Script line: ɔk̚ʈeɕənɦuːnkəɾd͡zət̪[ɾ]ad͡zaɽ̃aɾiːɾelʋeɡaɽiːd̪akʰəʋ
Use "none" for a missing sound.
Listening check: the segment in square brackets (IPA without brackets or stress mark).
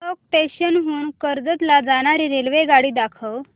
l